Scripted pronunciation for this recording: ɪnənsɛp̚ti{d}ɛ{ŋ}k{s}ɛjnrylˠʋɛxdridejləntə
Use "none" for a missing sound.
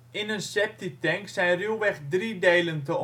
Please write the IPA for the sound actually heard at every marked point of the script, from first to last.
t, ŋ, s

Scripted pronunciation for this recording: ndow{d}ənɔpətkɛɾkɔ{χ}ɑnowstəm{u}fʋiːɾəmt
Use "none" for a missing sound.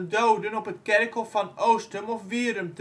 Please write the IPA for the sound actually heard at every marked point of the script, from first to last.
d, f, ɔ

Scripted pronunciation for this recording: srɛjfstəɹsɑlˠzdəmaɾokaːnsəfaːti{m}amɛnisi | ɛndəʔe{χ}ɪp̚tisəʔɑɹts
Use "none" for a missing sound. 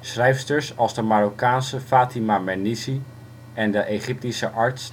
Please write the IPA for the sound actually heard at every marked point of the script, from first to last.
m, χ

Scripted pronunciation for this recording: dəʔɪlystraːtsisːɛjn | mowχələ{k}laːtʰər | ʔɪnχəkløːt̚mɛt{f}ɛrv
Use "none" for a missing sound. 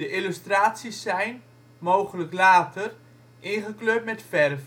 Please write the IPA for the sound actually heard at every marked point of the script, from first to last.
k, f

